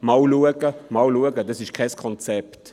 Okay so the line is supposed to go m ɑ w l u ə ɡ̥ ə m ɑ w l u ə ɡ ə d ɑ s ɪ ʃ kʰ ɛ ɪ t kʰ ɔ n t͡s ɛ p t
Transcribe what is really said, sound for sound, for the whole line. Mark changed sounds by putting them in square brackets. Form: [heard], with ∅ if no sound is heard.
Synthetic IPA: m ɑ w l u ə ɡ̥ ə m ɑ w l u ə ɡ ə d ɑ s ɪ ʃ kʰ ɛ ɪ [s] kʰ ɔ n t͡s ɛ p t